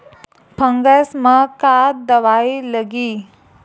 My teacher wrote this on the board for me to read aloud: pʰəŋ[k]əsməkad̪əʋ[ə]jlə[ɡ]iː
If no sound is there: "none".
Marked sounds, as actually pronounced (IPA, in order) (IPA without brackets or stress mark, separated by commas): ɡ, a, ɡ